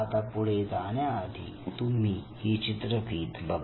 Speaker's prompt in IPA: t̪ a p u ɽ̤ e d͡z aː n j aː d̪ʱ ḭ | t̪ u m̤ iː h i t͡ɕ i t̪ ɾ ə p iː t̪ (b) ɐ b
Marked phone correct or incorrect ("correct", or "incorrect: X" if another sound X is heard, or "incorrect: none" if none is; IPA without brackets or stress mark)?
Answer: correct